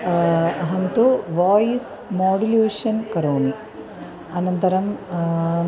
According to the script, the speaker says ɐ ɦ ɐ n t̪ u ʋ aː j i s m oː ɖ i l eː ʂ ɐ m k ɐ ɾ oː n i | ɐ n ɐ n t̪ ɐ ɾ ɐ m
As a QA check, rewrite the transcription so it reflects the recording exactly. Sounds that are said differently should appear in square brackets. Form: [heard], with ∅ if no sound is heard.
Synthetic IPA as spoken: ɐ ɦ ɐ n t̪ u ʋ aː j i s m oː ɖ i l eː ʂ ɐ [n] k ɐ ɾ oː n i | ɐ n ɐ n t̪ ɐ ɾ ɐ m